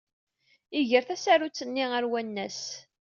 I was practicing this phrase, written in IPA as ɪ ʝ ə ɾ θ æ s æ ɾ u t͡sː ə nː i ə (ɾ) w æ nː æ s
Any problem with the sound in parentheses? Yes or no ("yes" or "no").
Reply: no